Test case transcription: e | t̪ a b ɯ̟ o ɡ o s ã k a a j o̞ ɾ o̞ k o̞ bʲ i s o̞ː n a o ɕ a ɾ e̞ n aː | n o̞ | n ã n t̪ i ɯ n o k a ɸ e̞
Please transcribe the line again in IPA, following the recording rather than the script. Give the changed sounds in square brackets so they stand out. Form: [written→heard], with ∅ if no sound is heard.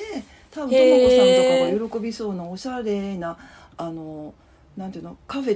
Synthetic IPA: e | t̪ a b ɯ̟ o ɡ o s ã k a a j o̞ ɾ o̞ k o̞ bʲ i s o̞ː n a o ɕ a ɾ e̞ n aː | n o̞ | n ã n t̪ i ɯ n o k a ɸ e̞